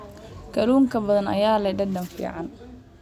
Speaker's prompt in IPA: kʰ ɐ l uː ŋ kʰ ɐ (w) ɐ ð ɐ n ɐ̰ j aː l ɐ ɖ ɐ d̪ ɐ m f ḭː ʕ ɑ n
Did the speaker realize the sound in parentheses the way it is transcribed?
no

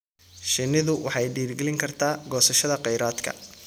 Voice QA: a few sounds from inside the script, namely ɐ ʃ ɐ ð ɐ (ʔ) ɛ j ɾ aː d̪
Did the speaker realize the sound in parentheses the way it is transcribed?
no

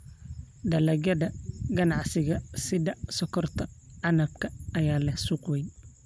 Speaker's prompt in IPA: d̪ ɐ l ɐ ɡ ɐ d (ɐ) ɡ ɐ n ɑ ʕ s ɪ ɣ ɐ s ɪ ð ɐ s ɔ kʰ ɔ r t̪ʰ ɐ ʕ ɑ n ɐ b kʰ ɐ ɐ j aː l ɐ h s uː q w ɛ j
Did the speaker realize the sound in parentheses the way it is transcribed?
yes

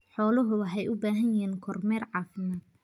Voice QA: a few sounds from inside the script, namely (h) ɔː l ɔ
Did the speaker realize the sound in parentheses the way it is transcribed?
no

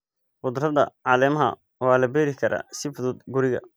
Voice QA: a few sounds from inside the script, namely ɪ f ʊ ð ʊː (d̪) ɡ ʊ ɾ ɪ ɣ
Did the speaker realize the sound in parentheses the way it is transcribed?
yes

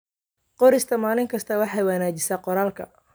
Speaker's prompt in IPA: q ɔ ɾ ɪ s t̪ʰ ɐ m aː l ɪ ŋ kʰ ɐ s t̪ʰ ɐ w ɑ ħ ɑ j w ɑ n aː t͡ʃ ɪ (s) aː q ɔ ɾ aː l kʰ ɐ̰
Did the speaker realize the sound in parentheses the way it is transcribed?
yes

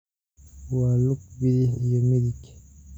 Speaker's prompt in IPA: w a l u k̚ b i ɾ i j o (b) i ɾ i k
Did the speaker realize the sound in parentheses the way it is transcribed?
no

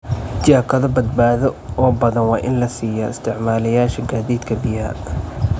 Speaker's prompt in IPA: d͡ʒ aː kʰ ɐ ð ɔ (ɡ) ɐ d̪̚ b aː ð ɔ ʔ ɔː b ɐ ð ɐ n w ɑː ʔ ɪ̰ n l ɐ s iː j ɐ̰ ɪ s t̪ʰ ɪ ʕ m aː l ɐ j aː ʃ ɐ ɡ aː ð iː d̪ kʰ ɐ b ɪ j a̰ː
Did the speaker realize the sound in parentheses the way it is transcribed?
no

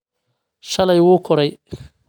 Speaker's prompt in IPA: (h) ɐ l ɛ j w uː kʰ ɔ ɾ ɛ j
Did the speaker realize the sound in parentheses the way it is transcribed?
no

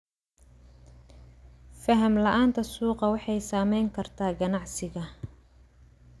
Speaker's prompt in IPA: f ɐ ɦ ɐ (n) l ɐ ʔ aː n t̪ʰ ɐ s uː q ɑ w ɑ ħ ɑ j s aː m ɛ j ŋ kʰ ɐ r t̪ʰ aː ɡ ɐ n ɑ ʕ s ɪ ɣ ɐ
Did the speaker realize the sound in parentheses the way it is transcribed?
no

